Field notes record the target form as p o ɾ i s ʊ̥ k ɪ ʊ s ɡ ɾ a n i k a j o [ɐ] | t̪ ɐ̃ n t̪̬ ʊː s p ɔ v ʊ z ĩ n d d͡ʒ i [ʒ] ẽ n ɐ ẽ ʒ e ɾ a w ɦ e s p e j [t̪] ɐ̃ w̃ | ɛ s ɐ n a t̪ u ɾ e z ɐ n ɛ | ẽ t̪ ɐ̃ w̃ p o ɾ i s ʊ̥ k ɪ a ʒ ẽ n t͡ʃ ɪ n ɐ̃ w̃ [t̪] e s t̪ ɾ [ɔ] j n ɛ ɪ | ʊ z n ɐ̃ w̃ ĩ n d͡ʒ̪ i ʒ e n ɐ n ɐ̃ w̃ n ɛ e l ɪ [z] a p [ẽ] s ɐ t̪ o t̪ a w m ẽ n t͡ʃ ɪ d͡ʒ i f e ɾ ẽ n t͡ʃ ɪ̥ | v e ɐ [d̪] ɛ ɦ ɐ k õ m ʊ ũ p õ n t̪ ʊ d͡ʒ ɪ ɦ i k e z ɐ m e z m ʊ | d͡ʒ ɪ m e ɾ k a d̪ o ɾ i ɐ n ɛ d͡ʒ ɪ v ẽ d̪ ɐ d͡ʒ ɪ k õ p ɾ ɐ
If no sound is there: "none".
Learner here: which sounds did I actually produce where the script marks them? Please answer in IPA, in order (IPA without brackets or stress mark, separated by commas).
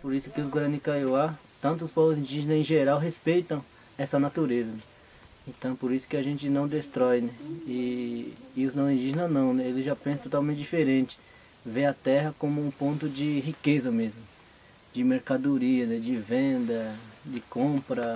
a, ʒ, t̪, d̪, ɔ, ʒ, ẽ, t̪